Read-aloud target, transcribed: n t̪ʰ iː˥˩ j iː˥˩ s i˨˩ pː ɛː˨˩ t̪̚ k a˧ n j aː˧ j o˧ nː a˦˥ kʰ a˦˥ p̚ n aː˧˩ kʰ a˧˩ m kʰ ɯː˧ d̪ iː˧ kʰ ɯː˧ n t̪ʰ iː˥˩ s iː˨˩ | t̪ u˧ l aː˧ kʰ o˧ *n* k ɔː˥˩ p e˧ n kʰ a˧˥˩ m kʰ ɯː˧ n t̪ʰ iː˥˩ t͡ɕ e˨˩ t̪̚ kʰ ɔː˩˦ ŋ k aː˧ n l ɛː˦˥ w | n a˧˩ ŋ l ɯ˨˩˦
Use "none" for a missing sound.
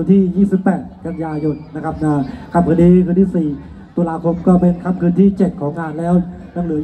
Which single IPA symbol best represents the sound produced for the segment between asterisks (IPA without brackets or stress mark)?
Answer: m